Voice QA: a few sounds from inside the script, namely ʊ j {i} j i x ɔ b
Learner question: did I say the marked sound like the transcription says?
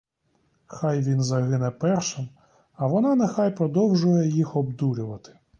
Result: no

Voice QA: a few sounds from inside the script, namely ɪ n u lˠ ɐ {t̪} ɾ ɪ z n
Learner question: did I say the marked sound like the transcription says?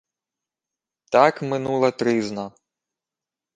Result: yes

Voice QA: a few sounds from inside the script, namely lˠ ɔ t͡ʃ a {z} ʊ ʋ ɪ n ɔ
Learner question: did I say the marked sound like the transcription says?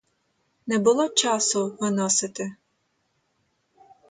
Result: no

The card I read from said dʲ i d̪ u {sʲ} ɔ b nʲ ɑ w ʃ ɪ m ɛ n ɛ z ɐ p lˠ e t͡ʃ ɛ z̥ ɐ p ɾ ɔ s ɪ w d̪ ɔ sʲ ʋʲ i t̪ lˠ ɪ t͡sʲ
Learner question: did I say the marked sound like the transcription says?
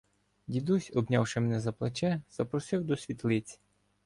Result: yes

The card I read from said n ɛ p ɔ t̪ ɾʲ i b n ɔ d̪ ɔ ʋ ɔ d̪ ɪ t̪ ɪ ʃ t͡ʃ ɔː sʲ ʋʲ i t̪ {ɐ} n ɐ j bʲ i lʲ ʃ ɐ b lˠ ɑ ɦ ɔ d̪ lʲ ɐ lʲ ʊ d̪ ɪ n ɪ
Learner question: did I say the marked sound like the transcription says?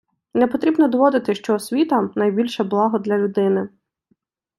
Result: yes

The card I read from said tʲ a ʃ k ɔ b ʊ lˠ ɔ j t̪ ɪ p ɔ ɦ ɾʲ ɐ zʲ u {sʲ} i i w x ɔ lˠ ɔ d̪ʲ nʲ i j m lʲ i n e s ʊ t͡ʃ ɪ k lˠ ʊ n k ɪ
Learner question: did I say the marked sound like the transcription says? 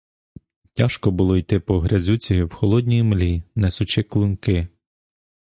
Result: no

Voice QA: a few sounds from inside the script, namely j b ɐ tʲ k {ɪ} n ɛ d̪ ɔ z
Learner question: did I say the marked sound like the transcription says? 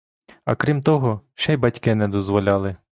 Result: yes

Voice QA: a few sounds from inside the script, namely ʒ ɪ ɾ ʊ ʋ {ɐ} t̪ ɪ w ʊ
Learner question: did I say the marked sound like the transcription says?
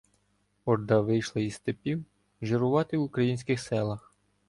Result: no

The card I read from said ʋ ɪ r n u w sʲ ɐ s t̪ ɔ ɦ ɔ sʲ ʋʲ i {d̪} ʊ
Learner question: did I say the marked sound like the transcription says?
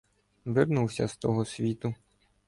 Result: no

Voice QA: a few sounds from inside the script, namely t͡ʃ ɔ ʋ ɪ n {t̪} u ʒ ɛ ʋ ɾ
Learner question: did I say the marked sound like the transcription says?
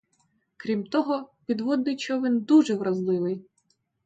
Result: no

